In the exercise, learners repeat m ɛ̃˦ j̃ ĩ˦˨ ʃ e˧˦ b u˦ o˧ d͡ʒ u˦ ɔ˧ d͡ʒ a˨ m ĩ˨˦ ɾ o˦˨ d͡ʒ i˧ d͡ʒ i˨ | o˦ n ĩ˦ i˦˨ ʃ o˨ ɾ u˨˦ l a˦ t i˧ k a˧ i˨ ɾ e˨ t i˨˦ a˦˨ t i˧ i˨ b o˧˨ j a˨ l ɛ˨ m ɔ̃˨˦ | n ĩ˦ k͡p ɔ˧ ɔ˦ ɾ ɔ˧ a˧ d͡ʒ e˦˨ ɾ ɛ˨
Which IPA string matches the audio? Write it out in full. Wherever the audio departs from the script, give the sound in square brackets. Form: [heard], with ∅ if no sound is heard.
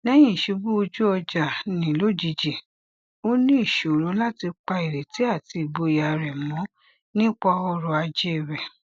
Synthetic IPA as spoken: [n] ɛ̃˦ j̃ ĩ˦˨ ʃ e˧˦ b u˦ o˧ d͡ʒ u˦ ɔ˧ d͡ʒ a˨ [n] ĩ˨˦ [l] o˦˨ d͡ʒ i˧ d͡ʒ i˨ | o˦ n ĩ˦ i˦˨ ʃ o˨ ɾ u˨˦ l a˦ t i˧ [k͡p] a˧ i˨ ɾ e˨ t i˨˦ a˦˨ t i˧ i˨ b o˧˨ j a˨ [ɾ] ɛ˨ m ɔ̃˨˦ | n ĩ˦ k͡p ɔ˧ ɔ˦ ɾ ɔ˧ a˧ d͡ʒ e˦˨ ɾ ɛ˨